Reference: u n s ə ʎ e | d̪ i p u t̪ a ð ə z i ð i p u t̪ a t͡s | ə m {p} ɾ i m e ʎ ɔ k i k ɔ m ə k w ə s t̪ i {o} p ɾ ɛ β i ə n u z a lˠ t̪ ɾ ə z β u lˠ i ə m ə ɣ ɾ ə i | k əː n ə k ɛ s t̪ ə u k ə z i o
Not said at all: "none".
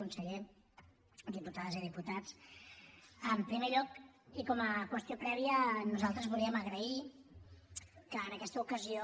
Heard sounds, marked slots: p, o

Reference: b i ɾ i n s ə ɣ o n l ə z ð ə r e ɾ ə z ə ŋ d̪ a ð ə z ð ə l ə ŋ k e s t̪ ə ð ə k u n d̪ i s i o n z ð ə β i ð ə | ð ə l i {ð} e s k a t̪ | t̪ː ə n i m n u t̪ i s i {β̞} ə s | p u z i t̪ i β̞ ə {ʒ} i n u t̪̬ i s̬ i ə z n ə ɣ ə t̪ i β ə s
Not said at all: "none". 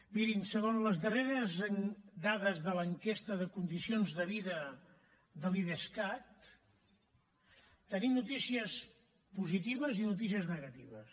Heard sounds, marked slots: ð, none, z

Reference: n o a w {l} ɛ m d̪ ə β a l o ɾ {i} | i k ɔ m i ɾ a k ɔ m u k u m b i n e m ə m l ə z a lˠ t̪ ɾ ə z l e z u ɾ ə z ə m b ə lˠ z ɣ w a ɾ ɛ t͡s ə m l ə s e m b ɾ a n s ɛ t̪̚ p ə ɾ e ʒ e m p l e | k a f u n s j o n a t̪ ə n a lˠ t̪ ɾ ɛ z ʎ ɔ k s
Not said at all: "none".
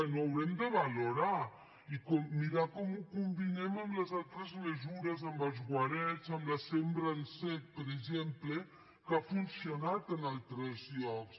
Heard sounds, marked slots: ɾ, a

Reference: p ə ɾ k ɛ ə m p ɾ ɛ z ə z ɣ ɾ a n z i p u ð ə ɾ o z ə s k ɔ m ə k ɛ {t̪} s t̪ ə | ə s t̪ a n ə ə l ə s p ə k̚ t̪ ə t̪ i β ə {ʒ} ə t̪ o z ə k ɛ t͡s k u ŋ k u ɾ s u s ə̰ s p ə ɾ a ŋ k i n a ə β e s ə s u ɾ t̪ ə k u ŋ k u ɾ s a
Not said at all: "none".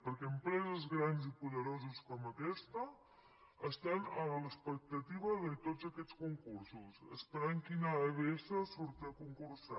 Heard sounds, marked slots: none, ð

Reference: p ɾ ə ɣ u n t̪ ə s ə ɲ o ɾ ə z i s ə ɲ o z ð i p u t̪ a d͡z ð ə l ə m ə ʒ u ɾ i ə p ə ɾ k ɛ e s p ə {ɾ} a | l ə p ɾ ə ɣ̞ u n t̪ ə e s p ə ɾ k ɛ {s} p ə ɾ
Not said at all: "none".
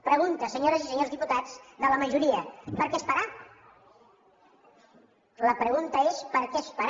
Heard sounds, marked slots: ɾ, s

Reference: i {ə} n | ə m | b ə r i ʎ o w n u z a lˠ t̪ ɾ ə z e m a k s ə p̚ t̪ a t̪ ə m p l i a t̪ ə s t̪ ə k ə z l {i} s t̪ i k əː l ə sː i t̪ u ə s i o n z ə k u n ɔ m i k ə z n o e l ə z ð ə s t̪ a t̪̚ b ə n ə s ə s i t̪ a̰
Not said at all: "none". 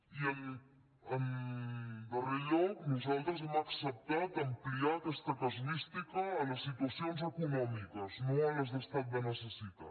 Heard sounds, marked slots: ə, i

